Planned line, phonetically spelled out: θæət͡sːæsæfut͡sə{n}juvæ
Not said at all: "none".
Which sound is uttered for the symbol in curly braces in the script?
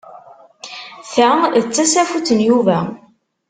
n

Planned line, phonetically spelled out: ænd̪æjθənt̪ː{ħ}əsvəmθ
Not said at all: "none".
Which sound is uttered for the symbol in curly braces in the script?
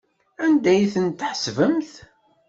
ħ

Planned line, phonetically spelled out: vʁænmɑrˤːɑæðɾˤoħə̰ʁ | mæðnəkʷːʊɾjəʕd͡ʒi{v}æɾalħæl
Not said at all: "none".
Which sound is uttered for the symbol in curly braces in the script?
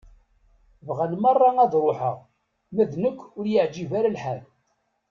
v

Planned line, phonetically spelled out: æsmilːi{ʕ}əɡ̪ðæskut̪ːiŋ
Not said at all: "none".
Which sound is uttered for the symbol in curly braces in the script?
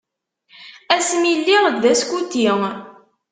ʁ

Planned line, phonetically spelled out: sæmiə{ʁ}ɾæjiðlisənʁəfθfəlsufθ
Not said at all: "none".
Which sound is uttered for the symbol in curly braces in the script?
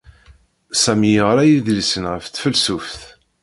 ʁ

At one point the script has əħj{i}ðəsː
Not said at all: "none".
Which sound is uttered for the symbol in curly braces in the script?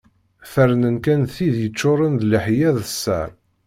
æ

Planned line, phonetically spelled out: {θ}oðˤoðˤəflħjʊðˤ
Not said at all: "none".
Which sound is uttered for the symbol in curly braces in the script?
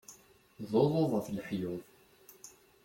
ð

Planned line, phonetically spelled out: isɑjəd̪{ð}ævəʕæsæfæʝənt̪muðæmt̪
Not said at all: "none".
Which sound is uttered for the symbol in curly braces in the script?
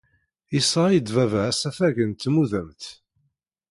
v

